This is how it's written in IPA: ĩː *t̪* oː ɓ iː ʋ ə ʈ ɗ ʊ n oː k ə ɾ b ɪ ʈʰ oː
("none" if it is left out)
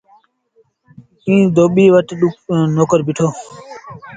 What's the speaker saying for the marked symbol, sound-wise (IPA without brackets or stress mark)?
d̪